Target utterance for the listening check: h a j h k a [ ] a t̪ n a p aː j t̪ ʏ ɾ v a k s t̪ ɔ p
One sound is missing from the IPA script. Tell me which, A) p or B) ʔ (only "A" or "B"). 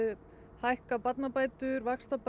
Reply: A